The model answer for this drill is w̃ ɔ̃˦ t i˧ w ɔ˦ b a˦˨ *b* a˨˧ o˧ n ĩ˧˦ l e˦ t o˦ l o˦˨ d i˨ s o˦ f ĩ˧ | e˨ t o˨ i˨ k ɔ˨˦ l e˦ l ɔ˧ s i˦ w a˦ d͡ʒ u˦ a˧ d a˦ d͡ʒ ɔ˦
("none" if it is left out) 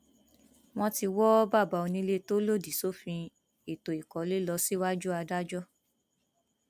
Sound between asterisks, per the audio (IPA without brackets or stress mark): b